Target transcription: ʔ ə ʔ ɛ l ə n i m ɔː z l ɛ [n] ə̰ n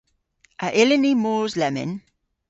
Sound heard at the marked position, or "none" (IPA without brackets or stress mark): m